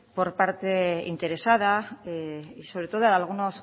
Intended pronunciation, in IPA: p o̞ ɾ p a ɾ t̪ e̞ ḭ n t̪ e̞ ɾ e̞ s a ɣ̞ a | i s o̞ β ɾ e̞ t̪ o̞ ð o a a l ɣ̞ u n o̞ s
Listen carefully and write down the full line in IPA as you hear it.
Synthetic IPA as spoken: p o̞ ɾ p a ɾ t̪ e̞ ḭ n t̪ e̞ ɾ e̞ s a ð̞ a | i s o̞ β ɾ e̞ t̪ o̞ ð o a a l ɣ̞ u n o̞ s